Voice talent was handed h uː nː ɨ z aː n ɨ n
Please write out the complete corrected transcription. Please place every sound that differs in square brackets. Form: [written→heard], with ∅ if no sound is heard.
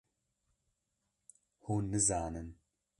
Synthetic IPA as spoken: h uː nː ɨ z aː n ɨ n